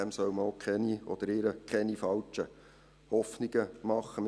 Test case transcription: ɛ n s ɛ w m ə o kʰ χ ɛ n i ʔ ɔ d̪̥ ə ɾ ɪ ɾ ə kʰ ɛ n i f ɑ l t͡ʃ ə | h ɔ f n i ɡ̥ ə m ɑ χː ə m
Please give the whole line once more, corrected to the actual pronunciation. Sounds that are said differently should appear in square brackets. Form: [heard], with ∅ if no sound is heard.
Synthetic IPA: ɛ [m] s [œ] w m ə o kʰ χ ɛ n i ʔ ɔ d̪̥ ə ɾ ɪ ɾ ə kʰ ɛ n i f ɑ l t͡ʃ ə | h ɔ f n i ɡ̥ ə m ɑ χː ə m